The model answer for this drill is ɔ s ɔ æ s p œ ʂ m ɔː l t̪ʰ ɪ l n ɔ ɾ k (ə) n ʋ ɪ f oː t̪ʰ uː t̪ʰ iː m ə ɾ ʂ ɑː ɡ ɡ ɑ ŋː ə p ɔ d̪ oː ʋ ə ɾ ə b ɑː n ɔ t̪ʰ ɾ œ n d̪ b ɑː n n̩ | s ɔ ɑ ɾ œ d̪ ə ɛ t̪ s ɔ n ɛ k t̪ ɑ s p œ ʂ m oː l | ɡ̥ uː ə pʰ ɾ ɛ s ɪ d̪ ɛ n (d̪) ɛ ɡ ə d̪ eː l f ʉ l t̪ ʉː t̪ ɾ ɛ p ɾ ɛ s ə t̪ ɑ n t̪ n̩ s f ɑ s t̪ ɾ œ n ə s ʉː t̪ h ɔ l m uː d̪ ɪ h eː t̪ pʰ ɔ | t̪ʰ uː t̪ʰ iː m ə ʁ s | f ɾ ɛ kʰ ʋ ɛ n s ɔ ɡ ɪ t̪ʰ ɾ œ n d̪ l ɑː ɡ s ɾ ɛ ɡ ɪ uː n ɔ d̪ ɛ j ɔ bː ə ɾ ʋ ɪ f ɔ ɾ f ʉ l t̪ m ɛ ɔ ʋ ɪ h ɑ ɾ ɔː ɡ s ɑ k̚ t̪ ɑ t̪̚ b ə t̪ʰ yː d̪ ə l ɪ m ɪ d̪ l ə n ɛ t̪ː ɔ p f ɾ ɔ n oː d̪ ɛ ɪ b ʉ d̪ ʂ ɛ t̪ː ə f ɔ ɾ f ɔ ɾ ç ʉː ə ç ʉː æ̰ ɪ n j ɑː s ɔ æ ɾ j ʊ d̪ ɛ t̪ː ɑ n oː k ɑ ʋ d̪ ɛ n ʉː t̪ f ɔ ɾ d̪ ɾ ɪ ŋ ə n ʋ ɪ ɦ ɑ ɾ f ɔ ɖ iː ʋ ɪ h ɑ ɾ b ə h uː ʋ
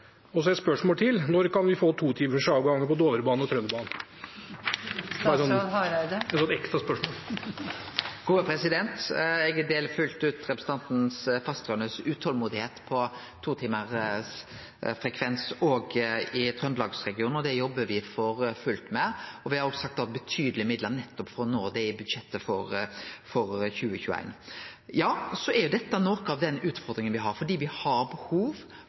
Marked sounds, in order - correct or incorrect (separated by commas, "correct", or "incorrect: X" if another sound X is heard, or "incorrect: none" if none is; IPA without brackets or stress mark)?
incorrect: ɑ, incorrect: t̪